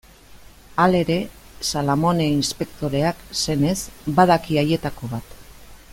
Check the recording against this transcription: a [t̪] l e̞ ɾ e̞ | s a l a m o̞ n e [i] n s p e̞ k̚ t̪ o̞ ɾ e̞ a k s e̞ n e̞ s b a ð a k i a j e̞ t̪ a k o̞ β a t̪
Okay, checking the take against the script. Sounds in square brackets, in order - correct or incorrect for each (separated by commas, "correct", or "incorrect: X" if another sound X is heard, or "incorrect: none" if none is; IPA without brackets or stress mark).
incorrect: none, correct